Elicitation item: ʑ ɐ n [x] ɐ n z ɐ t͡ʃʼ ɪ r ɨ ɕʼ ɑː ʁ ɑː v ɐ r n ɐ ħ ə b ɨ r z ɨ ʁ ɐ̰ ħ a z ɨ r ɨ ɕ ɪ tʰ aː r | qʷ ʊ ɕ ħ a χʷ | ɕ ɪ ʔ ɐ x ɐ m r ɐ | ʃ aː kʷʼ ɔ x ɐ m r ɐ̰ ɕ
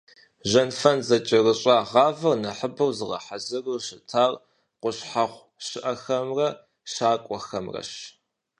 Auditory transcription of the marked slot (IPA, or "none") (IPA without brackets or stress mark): f